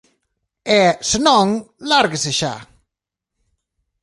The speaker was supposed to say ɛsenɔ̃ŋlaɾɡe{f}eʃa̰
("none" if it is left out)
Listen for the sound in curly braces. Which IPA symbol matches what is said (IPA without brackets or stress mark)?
s